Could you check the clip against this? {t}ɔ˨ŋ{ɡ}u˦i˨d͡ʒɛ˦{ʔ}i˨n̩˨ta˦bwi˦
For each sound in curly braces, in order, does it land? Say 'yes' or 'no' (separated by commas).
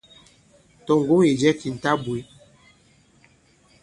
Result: yes, yes, no